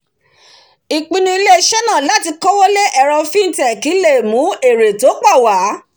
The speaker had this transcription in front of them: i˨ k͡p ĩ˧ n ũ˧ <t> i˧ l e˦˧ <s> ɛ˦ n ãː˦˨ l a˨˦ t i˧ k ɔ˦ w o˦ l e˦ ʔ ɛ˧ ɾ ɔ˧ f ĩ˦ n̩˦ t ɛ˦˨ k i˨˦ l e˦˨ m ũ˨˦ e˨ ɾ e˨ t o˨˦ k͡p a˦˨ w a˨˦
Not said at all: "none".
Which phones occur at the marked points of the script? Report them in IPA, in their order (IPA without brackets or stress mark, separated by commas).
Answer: none, ʃ